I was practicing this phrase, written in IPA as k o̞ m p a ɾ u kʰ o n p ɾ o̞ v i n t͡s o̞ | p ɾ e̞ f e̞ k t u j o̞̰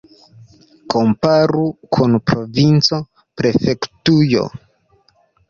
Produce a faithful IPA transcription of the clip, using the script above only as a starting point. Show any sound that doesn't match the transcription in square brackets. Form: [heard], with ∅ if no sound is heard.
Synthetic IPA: k o̞ m p a ɾ u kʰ [u] n p ɾ o̞ v i n t͡s o̞ | p ɾ e̞ f e̞ k t u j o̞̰